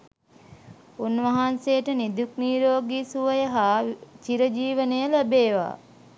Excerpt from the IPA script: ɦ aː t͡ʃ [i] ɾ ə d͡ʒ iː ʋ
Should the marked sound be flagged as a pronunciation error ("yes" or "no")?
no